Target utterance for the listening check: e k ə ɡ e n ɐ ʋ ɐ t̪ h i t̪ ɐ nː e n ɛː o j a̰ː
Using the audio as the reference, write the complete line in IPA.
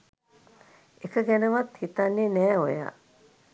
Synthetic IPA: e k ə ɡ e n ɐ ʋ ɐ t̪ h i t̪ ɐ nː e n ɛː o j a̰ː